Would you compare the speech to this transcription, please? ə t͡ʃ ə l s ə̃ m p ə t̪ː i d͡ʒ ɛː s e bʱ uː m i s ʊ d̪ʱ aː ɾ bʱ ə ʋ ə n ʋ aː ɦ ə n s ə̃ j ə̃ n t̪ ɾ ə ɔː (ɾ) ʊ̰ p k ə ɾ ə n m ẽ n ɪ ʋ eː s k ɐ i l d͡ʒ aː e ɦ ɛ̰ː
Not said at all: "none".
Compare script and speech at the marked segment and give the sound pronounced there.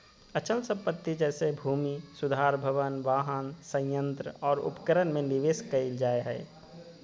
ɾ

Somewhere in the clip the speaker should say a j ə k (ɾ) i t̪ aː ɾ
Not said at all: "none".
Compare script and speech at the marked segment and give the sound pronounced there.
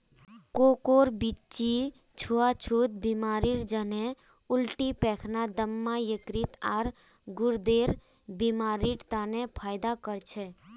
ɾ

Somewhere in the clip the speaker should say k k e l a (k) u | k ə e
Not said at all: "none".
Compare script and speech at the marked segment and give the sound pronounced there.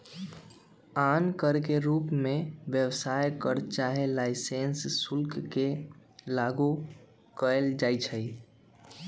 ɡ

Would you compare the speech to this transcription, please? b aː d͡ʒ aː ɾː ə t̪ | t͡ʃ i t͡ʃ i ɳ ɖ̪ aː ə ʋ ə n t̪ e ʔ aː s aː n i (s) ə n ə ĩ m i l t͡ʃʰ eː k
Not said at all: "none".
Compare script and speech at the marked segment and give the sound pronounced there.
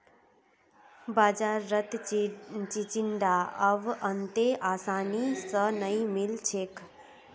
s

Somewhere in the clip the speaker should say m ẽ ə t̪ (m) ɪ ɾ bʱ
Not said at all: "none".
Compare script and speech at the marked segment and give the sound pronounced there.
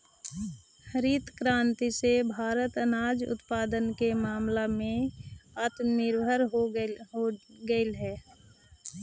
n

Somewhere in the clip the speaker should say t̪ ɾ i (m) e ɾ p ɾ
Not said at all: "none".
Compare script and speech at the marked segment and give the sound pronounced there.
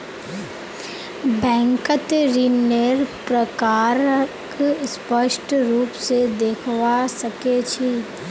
n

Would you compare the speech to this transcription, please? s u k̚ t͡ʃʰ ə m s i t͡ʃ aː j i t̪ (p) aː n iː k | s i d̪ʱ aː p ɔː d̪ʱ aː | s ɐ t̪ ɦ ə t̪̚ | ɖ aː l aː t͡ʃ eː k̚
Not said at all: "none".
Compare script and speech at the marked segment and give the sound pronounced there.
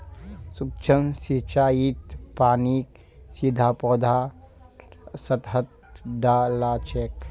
p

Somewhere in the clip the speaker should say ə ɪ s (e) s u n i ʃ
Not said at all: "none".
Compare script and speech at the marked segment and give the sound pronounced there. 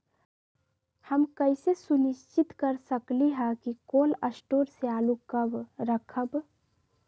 e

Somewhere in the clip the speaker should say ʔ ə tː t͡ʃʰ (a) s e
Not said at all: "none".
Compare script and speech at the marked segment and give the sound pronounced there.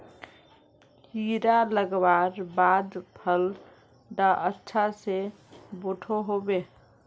a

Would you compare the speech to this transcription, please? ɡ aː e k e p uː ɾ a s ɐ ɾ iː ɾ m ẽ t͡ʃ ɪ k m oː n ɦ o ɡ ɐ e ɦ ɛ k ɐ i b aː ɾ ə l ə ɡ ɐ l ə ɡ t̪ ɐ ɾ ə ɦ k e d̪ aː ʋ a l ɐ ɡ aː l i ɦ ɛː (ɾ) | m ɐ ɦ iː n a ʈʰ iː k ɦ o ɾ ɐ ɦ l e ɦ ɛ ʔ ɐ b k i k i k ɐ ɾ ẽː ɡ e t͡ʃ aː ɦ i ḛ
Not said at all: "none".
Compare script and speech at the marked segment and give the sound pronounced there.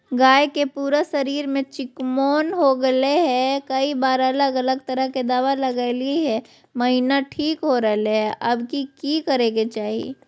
none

